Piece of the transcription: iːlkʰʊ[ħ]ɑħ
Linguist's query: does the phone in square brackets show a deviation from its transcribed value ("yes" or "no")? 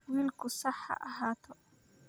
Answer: yes